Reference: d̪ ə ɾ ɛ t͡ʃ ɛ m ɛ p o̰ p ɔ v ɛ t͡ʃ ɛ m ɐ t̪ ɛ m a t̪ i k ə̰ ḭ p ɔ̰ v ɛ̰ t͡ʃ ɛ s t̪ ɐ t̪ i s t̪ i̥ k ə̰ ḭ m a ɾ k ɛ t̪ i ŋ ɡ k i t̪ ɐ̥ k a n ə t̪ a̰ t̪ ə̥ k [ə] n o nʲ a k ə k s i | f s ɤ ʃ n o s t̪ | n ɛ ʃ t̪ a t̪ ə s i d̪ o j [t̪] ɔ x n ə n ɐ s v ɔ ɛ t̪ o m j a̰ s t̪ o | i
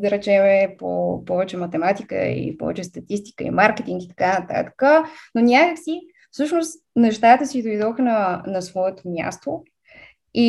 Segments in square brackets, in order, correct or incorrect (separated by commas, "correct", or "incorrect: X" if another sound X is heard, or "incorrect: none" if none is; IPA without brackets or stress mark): correct, incorrect: d̪